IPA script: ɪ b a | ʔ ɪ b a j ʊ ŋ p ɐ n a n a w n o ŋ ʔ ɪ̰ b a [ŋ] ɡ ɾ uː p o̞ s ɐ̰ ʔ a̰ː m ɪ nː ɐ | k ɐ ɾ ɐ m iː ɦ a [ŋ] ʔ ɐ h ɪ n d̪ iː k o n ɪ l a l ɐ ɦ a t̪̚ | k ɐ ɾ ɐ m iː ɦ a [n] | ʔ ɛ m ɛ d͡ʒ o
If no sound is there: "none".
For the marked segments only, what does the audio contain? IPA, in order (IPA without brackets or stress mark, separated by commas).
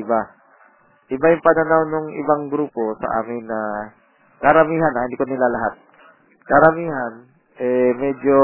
ŋ, n, n